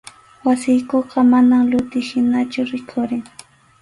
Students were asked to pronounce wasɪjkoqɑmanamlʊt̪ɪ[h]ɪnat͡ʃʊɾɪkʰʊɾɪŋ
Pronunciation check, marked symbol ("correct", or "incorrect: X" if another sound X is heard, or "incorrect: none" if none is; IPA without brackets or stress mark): incorrect: ʃ